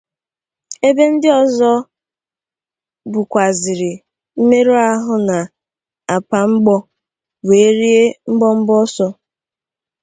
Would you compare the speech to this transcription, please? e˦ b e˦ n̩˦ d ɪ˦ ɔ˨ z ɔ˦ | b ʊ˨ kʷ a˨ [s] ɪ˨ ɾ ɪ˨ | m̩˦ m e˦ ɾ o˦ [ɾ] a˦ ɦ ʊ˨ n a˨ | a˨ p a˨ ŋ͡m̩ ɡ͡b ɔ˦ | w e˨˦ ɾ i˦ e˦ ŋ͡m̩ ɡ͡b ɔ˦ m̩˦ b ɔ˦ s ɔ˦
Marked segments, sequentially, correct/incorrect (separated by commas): incorrect, incorrect